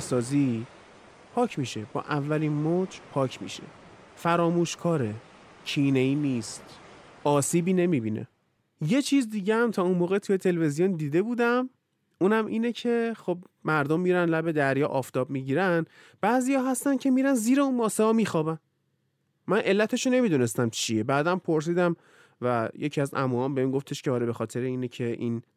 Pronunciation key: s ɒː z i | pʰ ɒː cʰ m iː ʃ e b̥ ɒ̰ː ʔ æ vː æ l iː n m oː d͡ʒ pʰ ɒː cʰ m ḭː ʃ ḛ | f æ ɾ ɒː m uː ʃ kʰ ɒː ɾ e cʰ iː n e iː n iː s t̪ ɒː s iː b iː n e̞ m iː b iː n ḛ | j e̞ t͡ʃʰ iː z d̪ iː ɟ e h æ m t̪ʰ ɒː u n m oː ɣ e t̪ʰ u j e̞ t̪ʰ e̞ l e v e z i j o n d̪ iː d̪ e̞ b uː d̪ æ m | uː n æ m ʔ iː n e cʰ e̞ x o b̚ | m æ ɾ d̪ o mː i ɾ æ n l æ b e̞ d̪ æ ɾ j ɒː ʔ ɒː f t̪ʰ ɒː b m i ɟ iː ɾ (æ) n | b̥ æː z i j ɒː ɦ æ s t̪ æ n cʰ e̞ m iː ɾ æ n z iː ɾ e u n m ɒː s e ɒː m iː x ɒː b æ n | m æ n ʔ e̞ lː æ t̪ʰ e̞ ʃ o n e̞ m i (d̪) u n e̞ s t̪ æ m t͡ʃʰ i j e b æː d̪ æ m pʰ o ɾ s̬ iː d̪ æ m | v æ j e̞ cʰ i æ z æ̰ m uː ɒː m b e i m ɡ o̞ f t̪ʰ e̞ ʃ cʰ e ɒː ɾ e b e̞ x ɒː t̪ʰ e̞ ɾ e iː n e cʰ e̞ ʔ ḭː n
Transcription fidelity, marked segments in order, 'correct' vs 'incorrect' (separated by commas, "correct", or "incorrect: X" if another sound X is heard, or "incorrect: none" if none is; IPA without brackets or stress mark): correct, correct